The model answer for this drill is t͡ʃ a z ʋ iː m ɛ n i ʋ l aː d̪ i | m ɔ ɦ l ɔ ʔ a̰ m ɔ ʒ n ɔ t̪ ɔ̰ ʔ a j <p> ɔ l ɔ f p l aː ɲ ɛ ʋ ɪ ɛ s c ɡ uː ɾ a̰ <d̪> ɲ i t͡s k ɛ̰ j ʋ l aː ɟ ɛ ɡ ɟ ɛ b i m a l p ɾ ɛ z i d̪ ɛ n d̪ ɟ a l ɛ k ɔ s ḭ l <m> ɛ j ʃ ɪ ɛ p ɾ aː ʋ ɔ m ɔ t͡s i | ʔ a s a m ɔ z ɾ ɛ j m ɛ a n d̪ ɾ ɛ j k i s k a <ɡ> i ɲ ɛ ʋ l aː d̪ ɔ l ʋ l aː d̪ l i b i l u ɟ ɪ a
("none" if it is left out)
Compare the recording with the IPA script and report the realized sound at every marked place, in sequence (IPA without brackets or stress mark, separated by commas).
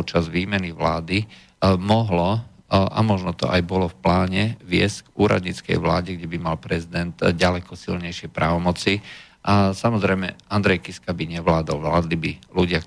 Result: b, d̪, ɲ, b